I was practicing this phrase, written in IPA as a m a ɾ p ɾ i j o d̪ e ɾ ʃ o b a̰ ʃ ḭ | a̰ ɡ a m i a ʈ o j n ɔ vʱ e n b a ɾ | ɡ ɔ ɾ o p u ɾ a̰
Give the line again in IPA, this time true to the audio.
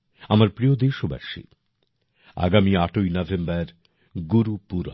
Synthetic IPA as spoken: a m a ɾ p ɾ i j o d̪ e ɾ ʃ o b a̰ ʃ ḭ | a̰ ɡ a m i a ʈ o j n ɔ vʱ e m b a ɾ | ɡ u ɾ u p u ɾ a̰